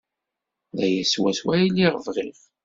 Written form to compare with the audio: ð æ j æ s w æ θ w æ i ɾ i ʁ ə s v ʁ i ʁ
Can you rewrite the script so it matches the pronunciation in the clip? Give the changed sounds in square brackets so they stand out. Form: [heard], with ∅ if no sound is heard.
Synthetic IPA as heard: ð æ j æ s w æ [s] w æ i [l] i ʁ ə [∅] v ʁ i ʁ

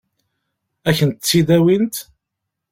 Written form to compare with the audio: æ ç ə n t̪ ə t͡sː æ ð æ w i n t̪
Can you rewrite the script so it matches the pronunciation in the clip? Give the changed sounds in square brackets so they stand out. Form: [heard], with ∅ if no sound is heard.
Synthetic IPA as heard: æ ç ə n t̪ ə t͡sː [i] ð æ w i n t̪

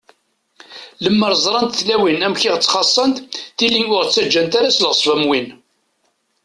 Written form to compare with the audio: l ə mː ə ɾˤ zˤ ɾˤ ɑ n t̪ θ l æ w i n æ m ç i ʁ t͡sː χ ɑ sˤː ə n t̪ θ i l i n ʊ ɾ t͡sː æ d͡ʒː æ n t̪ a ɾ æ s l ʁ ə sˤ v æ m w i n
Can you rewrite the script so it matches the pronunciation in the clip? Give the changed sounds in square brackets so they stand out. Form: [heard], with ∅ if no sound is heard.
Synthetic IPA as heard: l ə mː ə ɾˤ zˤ ɾˤ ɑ n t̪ θ l æ w i n æ m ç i ʁ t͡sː χ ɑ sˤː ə n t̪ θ i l i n ʊ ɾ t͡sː æ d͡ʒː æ n t̪ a ɾ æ s l ʁ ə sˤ v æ m w i n

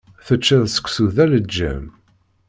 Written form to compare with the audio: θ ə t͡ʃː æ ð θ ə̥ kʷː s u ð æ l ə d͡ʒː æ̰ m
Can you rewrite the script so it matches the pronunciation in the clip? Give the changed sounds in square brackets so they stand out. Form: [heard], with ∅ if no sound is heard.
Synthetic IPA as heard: θ ə t͡ʃː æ ð [s] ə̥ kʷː s u ð æ l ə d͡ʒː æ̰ m

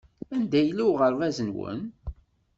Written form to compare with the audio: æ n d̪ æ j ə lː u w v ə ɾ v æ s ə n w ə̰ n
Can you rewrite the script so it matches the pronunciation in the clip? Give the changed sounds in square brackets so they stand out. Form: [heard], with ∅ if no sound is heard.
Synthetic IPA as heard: æ n d̪ æ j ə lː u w [ʁ] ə ɾ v æ [z] ə n w ə̰ n

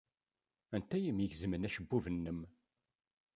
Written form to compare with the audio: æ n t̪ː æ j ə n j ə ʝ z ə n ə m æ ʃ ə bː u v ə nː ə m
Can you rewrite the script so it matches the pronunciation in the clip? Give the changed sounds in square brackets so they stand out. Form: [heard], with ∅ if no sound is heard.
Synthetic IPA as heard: æ n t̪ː æ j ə [m] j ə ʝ z ə [m] ə [n] æ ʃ ə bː u v ə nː ə m

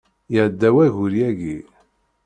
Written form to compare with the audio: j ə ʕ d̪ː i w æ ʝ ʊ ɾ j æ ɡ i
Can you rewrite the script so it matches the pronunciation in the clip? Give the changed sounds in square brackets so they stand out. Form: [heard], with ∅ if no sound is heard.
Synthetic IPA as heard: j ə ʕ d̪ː [æ] w æ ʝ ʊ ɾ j æ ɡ i

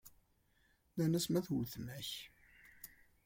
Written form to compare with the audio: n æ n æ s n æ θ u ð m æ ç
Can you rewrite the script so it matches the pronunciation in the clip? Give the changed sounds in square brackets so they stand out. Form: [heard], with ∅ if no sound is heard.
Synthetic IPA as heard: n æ n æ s [m] æ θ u [θ] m æ ç

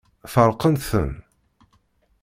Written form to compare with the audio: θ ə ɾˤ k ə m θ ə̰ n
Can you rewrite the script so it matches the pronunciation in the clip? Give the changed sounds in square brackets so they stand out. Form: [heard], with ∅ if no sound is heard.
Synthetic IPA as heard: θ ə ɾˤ [q] ə [n] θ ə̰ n

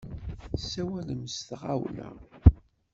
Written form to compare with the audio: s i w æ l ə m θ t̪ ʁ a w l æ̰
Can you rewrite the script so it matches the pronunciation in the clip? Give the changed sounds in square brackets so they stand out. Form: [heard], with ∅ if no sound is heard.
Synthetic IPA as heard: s [æ] w æ l ə m [s] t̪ ʁ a w l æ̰

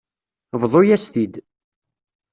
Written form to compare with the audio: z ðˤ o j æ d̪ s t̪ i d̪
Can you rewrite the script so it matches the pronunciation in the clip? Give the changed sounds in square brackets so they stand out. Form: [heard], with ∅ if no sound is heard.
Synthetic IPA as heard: [v] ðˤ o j æ [∅] s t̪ i d̪

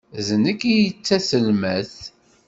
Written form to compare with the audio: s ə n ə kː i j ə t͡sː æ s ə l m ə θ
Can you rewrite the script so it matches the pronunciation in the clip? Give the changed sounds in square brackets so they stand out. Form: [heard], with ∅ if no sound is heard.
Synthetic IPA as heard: [z] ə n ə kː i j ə t͡sː æ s ə l m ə θ

